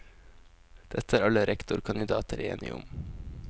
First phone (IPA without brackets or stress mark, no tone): d̪̥